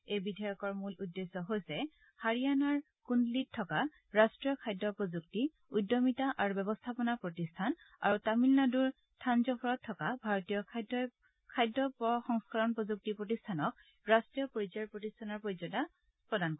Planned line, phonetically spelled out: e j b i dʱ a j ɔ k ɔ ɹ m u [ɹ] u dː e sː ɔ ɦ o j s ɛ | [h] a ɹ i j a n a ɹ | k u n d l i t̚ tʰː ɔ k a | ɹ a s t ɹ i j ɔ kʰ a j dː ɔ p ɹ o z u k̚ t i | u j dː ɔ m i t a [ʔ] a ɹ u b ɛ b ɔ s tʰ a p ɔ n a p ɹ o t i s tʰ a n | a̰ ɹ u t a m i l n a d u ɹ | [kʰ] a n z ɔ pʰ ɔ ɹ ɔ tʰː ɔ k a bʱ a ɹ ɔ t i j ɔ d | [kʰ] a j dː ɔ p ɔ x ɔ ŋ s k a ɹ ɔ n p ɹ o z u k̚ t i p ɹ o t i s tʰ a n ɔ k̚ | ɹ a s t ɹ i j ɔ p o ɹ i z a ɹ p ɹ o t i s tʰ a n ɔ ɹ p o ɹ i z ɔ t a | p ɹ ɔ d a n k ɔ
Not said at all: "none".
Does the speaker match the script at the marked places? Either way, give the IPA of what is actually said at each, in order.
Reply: l, h, ʔ, tʰ, kʰ

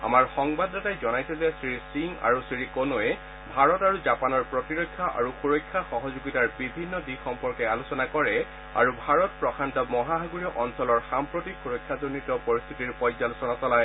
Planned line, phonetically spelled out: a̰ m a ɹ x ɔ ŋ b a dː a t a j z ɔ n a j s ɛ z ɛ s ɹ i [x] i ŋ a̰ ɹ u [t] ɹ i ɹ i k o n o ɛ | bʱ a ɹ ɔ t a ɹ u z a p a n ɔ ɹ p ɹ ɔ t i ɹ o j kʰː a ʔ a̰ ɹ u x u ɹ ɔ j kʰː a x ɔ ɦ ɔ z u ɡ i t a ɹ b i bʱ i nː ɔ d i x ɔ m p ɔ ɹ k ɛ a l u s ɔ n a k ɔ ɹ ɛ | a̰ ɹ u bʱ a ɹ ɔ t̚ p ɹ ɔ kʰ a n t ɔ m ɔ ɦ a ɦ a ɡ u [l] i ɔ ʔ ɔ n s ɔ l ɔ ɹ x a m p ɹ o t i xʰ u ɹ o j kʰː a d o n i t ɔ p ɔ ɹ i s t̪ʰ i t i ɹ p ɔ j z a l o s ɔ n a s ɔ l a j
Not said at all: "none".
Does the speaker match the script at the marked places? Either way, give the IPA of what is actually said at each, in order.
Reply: s, s, ɹ

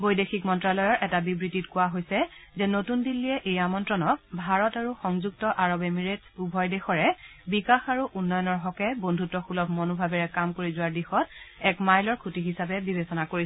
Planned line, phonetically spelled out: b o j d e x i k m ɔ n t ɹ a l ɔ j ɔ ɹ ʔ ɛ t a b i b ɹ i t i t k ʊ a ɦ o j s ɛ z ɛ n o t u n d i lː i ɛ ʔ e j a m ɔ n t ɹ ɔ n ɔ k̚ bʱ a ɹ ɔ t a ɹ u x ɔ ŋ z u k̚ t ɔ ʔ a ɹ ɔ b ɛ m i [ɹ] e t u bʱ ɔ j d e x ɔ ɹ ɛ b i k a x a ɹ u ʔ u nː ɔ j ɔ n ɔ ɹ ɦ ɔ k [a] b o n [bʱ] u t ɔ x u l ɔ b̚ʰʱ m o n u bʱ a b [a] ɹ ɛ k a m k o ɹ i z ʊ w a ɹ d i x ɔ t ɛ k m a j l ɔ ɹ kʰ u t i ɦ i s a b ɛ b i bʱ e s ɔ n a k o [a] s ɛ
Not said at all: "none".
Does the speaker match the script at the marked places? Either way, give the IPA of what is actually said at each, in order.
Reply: ɹ, ɛ, dʱ, ɛ, i

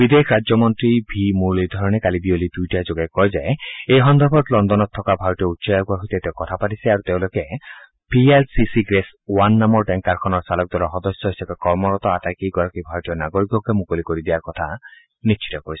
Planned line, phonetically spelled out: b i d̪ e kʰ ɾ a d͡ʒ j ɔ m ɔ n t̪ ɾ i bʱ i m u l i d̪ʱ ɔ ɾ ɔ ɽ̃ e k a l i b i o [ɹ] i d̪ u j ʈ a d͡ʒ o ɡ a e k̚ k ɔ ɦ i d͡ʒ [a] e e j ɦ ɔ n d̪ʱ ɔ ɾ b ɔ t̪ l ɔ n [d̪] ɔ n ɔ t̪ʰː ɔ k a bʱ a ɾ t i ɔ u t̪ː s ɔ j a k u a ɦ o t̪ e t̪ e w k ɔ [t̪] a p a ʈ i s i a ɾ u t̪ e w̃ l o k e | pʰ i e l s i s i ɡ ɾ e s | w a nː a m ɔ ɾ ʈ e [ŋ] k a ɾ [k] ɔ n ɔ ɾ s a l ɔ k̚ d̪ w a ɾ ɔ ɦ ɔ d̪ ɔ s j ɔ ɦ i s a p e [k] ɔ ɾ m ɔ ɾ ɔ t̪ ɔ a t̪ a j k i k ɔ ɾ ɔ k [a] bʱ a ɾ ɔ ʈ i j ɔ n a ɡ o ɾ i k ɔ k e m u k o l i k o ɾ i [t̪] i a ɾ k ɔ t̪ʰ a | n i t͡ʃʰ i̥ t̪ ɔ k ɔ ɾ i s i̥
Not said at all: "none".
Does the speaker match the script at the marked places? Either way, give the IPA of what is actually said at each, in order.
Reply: l, a, d̪, t̪ʰ, ŋ, kʰ, k, i, d̪

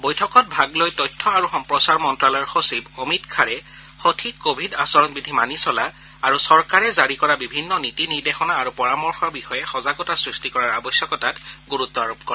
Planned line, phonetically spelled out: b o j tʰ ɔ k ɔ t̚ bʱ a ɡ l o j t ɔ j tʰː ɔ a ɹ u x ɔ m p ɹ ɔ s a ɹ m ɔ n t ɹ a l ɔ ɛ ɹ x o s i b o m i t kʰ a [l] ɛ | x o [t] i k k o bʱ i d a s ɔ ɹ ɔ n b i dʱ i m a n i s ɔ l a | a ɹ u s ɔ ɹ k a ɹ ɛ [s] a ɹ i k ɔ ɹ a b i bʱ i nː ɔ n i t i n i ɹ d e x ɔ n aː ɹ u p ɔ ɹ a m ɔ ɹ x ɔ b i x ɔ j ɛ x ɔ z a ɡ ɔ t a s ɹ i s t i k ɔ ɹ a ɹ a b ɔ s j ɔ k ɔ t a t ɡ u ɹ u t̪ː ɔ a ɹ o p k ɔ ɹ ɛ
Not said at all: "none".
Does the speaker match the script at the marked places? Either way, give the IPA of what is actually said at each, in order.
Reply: ɹ, tʰ, z

